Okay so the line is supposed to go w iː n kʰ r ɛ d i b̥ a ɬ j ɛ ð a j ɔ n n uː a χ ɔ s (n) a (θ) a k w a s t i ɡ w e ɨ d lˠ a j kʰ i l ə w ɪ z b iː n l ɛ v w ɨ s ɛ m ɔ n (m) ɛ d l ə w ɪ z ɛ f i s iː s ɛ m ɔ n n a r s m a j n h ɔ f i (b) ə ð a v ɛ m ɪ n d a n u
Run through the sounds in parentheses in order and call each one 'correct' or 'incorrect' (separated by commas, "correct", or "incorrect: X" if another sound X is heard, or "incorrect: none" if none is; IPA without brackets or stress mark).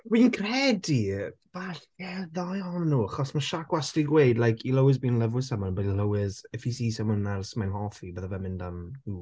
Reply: incorrect: m, incorrect: ʃ, incorrect: b, correct